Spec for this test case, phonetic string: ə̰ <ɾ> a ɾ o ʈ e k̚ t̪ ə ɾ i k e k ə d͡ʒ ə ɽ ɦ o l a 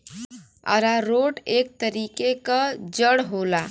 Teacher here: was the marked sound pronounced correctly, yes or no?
yes